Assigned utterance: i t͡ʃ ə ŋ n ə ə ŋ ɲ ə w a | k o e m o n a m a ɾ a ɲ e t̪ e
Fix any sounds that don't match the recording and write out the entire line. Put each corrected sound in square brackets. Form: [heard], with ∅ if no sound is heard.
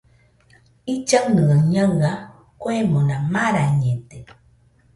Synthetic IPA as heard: i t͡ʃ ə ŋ n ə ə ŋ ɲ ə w a | k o e m o n a m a ɾ a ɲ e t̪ e